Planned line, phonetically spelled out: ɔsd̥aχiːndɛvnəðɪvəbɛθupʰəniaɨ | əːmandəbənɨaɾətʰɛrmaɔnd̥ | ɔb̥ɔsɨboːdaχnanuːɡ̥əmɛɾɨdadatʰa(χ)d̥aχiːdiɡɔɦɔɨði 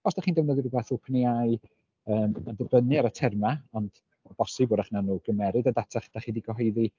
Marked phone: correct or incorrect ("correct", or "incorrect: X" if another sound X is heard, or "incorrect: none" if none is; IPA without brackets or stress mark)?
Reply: correct